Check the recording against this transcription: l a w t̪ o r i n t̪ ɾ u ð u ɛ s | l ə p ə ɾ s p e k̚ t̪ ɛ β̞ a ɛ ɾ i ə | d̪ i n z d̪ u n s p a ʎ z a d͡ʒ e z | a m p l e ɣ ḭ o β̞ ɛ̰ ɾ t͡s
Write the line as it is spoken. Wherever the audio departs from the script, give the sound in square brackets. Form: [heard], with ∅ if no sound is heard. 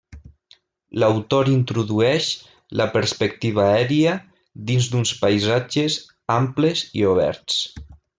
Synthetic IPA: l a w t̪ o [ɾ] i n t̪ ɾ u ð u ɛ [ʃ] | l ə p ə ɾ s p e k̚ t̪ [i] β̞ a ɛ ɾ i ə | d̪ i n z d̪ u n s p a [j] z a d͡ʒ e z | a m p l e [z] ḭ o β̞ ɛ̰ ɾ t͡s